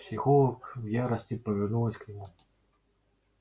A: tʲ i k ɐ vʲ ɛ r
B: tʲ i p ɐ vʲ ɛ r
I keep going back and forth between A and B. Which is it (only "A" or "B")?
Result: B